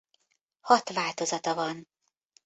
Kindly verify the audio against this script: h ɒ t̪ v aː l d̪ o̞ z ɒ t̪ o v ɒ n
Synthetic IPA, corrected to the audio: h ɒ t̪ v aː l t̪ o̞ z ɒ t̪ ɒ v ɒ n